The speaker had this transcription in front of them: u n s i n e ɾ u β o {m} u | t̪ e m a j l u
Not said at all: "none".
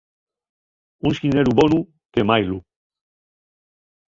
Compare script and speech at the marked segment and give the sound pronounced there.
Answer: n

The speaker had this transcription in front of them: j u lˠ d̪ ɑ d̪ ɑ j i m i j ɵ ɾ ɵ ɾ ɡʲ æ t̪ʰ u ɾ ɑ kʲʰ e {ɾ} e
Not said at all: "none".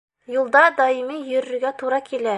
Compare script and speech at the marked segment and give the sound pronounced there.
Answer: l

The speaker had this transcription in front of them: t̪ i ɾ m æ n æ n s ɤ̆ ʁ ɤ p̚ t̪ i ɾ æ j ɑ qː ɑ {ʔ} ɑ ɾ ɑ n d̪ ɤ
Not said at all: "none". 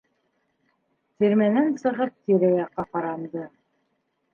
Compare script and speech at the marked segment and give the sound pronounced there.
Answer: q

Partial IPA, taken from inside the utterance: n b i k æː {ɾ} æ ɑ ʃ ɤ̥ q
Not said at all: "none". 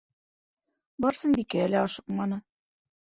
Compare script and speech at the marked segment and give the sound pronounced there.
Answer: l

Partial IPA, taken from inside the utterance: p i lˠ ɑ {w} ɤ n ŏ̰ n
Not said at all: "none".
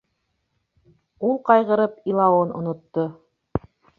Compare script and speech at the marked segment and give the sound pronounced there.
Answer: w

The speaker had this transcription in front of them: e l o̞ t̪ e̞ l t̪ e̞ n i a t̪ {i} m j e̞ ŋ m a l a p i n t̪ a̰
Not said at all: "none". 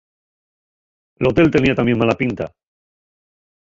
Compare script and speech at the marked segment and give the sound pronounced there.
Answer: a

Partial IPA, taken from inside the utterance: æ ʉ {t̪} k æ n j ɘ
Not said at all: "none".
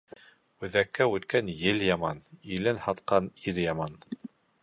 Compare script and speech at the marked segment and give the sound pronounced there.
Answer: t̪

